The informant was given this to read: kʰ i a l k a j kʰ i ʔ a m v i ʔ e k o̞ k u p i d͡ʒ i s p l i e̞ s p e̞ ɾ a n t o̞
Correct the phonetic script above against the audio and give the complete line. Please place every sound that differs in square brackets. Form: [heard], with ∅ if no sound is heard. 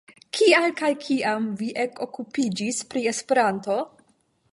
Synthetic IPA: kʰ i a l k a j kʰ i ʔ a m v i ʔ e k o̞ k u p i d͡ʒ i s p [ɾ] i e̞ s p e̞ ɾ a n t o̞